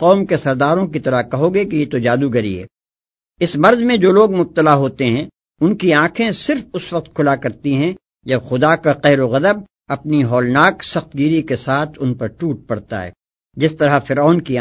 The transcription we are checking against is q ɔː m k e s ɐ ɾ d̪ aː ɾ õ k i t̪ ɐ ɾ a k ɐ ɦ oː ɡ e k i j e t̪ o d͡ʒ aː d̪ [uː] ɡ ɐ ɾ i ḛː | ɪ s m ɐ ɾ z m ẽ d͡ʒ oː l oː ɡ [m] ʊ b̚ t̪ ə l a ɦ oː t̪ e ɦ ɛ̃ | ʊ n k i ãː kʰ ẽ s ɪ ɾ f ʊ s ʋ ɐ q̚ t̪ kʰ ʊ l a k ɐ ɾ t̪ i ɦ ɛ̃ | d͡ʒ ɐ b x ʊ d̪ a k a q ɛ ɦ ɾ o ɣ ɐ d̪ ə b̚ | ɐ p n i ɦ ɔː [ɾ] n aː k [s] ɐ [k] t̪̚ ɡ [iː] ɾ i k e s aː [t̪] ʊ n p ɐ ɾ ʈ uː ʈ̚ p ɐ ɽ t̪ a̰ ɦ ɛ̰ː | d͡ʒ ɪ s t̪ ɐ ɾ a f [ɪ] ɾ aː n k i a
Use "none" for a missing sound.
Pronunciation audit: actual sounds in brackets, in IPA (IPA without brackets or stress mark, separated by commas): u, m, l, s, x, iː, t̪ʰ, ɪ